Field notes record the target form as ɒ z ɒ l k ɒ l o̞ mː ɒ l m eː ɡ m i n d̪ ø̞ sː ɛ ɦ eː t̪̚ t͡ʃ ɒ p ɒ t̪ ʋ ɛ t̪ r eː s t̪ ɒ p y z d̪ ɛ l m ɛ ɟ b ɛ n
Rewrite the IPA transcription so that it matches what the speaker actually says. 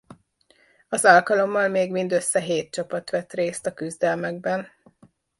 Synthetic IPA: ɒ z ɒ l k ɒ l o̞ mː ɒ l m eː ɡ m i n d̪ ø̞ sː ɛ ɦ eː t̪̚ t͡ʃ ɒ p ɒ t̪ ʋ ɛ t̪ r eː s t̪ ɒ k y z d̪ ɛ l m ɛ ɡ b ɛ n